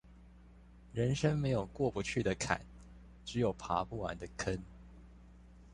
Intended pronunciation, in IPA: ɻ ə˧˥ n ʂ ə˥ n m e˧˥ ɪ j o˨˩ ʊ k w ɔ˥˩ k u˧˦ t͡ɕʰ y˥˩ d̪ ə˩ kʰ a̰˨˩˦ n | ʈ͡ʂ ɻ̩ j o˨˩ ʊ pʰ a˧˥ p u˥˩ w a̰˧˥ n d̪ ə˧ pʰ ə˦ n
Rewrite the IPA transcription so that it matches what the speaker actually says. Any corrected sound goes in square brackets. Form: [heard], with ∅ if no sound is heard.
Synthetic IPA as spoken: ɻ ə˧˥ n ʂ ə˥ [ŋ] m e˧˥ ɪ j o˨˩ ʊ k w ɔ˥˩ [p] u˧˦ t͡ɕʰ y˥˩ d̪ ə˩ kʰ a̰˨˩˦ n | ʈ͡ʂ ɻ̩ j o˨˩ ʊ pʰ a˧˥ p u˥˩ w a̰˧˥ n d̪ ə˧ [kʰ] ə˦ n